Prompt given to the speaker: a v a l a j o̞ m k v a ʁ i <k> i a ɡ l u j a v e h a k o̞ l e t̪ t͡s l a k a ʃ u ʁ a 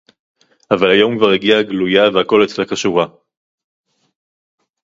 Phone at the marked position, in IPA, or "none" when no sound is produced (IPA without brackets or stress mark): ɡ